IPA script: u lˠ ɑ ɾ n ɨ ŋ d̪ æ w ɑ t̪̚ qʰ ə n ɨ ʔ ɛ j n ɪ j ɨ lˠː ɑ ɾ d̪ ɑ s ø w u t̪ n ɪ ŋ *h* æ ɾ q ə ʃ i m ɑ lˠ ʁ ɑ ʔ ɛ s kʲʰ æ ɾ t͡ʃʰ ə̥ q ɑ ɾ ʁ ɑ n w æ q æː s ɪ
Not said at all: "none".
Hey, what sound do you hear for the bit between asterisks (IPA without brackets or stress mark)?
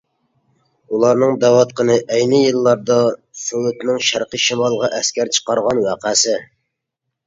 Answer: ʃ